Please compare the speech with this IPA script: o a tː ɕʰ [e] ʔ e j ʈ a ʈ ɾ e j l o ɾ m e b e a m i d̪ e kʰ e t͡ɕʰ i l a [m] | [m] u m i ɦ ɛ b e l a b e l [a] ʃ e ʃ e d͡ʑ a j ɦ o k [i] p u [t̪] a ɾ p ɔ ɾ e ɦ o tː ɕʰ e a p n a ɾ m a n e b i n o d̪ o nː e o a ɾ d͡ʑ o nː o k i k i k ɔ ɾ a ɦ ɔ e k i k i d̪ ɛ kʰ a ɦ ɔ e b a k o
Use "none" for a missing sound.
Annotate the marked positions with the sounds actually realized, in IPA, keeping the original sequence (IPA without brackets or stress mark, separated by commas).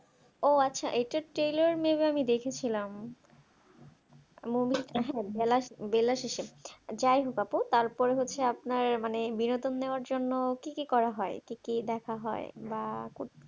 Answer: a, m, m, a, a, t̪